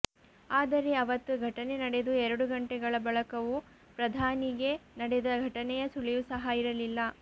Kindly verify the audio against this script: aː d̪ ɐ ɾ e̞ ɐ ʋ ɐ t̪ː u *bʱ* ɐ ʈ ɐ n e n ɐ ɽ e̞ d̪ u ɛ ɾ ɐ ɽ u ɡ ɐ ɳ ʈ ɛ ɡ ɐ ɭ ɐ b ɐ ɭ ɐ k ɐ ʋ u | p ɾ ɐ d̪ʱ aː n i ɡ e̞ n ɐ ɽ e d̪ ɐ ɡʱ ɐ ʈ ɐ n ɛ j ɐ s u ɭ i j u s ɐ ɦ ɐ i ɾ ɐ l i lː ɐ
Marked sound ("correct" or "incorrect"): incorrect